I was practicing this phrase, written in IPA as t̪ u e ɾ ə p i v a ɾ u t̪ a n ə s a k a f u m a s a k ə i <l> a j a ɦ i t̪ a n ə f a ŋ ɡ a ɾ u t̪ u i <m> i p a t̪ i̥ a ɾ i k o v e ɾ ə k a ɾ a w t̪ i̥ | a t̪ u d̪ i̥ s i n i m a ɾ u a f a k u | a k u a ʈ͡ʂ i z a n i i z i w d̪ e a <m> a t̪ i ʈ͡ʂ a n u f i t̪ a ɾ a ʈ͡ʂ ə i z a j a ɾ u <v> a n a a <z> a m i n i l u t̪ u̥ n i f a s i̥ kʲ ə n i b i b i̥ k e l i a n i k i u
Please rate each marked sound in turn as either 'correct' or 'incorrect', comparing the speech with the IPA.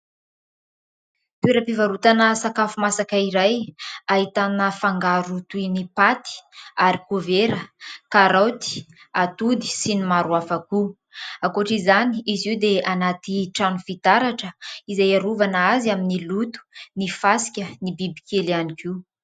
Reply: incorrect: ɾ, incorrect: n, incorrect: n, correct, correct

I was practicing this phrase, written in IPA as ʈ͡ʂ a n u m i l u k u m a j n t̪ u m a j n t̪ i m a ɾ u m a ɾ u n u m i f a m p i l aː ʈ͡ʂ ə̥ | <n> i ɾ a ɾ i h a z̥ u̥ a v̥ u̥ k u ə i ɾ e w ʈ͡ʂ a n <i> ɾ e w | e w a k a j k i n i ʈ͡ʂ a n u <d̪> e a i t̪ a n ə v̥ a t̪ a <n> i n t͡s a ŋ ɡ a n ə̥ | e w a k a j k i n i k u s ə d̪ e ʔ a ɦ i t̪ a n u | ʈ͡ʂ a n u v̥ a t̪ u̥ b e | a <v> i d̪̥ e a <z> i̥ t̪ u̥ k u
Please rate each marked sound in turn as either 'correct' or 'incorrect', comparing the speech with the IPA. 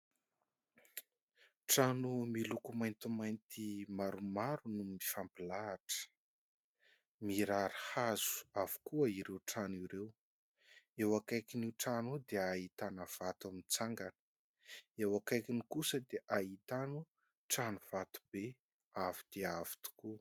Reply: incorrect: m, correct, correct, incorrect: m, correct, incorrect: v

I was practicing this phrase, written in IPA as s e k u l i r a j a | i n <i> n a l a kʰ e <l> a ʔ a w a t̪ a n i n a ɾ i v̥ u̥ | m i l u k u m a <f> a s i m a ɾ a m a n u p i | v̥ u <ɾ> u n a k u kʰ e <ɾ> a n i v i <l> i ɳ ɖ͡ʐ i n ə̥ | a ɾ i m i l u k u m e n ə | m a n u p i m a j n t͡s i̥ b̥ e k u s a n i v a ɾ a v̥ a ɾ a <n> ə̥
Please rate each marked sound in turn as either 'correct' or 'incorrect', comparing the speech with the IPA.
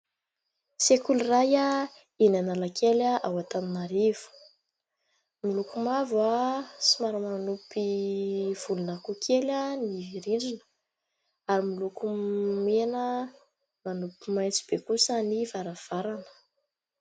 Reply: incorrect: a, correct, incorrect: v, incorrect: l, incorrect: l, incorrect: ɾ, correct

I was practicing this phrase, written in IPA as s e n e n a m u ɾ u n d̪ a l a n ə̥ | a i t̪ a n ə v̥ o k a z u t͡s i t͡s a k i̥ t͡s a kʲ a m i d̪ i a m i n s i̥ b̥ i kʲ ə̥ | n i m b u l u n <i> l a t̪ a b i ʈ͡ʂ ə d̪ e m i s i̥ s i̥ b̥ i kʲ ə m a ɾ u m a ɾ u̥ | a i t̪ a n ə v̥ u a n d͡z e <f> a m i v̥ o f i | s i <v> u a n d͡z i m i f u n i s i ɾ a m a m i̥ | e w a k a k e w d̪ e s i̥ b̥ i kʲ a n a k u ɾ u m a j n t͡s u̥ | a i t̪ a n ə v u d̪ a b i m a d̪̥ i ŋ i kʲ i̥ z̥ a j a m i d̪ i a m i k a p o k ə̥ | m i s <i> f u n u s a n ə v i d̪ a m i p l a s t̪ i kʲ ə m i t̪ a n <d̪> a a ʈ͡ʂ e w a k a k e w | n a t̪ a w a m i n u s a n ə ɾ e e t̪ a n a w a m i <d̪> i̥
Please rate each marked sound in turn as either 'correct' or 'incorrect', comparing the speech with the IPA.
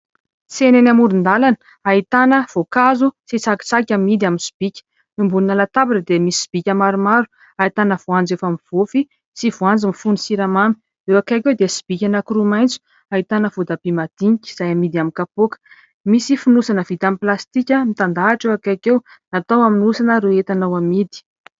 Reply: incorrect: a, correct, correct, correct, correct, correct

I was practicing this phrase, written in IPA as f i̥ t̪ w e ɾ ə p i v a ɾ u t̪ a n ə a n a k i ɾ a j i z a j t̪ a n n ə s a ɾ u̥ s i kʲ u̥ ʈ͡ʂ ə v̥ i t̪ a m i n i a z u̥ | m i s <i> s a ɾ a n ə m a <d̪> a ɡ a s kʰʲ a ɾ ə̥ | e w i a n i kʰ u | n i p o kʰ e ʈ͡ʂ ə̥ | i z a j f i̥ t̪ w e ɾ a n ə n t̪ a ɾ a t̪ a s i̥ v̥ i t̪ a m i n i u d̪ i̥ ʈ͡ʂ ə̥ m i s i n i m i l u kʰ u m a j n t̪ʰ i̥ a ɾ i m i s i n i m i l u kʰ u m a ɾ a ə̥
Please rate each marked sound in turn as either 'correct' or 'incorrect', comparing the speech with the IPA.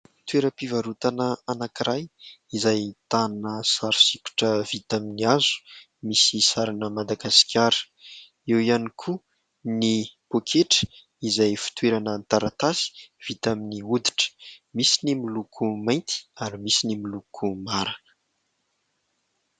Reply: correct, correct

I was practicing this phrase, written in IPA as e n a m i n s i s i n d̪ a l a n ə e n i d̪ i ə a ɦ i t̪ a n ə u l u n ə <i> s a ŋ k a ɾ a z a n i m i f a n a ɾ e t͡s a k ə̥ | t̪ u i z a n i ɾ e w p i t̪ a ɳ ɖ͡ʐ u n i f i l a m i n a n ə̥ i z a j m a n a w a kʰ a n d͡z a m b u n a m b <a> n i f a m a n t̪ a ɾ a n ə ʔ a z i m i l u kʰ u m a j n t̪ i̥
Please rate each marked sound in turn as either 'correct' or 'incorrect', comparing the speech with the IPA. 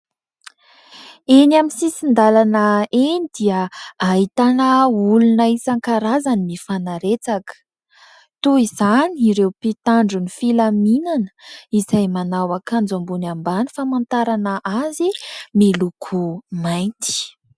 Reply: correct, correct

